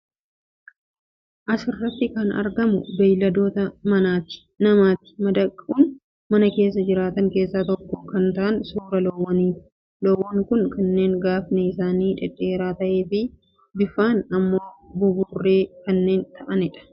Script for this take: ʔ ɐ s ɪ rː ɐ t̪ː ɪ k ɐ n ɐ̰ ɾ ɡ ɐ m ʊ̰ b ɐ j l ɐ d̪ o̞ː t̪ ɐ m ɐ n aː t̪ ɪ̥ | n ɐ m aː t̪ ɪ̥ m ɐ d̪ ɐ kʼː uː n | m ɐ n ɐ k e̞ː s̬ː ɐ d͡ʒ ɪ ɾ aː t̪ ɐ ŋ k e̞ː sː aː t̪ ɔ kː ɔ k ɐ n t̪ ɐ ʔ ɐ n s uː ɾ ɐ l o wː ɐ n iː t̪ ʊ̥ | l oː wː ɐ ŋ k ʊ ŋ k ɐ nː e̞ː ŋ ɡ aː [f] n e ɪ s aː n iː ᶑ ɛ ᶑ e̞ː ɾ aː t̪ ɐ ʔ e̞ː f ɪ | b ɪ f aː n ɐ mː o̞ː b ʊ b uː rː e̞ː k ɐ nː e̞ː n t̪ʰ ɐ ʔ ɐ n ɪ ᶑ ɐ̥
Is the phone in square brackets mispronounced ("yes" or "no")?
no